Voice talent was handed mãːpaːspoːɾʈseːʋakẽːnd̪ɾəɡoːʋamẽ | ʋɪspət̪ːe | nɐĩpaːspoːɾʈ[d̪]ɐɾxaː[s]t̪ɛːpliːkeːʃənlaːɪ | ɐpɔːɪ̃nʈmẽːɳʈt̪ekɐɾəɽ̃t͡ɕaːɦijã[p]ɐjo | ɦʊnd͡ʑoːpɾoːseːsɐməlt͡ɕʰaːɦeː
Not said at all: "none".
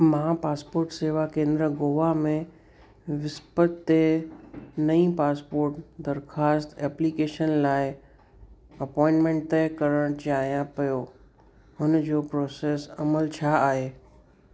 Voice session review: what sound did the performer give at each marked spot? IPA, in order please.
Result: d̪, s, p

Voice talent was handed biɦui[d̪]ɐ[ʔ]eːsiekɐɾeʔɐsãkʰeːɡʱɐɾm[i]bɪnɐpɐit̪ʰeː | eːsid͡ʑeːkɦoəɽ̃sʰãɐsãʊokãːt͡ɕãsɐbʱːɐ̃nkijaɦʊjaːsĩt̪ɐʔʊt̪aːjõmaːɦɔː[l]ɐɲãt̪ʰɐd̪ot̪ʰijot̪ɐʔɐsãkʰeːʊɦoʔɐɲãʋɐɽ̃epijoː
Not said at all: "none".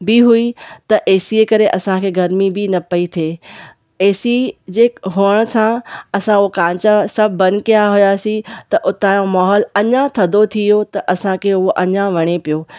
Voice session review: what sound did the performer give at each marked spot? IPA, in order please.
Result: t̪, ʔ, i, l

